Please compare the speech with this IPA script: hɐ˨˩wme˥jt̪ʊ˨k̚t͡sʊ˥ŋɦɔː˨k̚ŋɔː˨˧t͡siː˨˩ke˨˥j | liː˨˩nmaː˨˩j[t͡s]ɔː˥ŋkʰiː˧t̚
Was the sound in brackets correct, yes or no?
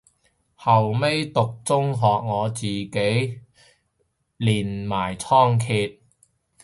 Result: no